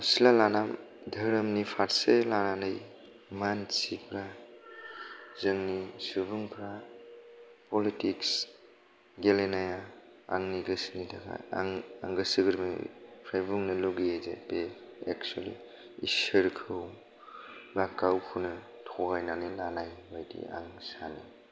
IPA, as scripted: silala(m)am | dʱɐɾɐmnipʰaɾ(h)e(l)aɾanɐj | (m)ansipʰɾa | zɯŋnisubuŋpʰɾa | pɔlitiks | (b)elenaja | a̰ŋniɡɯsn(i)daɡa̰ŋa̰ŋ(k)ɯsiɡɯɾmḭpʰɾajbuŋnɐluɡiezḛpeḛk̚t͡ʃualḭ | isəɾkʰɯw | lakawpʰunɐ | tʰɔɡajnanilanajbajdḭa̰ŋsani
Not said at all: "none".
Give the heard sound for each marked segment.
n, s, l, m, ɡ, i, ɡ

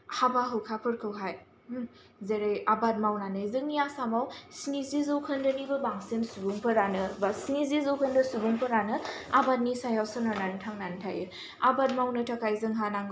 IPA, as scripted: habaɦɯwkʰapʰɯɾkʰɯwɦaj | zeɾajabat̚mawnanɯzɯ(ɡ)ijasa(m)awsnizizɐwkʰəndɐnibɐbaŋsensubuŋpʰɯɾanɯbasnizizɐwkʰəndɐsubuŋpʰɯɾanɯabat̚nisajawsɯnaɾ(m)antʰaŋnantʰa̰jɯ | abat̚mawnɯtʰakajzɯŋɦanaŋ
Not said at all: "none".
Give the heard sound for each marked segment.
ŋ, m, n

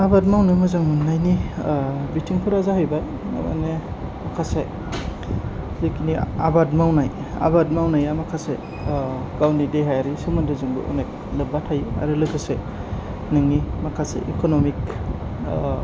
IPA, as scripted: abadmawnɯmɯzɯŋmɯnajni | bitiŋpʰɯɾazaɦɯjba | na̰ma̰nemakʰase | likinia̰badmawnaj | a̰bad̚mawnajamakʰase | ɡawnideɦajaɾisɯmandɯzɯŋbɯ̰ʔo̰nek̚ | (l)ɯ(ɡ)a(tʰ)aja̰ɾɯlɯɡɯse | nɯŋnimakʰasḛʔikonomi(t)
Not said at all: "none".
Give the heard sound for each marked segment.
l, b, tʰ, k

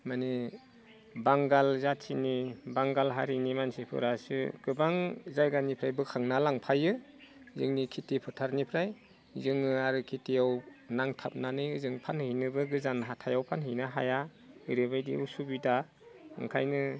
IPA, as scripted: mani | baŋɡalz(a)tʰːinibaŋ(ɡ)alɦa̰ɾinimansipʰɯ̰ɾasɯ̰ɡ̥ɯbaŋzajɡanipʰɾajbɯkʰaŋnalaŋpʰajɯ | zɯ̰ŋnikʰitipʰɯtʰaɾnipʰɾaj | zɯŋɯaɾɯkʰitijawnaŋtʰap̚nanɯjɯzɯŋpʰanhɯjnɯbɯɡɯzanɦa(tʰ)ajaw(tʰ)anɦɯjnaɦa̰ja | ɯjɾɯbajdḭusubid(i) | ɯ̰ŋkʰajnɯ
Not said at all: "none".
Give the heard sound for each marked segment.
a, ɡ, tʰ, pʰ, a

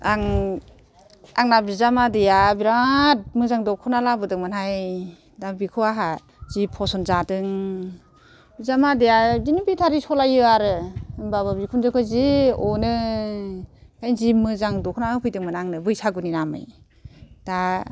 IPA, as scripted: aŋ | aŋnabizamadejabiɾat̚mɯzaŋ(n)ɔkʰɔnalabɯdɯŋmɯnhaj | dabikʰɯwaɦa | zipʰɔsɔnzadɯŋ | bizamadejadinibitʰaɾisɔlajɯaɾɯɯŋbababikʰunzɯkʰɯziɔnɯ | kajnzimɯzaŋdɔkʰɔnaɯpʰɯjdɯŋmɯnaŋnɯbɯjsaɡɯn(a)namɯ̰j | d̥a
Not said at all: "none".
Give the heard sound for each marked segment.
d, i

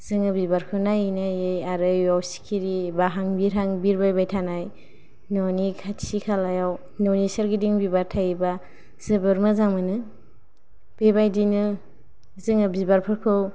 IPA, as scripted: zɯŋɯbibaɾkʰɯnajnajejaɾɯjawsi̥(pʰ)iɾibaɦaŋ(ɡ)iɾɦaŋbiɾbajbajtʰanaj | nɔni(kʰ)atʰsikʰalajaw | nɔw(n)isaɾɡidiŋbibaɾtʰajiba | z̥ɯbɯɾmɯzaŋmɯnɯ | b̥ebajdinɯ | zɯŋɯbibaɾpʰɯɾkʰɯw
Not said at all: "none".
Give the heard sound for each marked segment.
kʰ, b, kʰ, n

